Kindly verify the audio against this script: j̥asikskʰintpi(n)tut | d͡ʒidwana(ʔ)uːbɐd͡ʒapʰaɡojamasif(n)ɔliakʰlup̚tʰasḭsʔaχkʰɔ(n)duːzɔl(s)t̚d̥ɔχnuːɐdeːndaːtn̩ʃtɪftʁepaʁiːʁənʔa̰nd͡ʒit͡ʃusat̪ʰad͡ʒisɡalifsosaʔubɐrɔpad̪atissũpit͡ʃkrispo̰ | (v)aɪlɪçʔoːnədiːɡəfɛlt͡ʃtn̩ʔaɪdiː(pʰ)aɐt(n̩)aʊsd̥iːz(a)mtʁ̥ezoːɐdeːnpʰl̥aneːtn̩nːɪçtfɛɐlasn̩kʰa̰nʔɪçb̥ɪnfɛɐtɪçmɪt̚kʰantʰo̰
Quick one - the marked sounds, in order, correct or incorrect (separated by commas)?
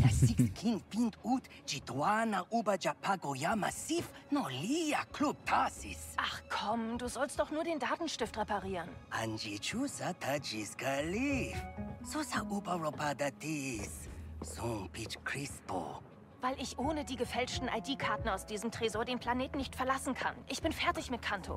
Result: correct, correct, correct, incorrect, correct, correct, incorrect, correct, incorrect